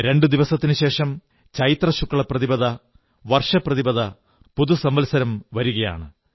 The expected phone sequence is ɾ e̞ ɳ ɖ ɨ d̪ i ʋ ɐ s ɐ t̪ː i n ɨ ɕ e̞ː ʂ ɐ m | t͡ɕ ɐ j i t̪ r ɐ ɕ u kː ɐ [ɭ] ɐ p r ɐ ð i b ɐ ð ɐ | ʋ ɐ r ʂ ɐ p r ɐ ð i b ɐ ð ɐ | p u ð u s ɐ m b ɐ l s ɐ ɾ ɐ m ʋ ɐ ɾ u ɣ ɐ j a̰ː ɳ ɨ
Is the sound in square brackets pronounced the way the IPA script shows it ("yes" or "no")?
yes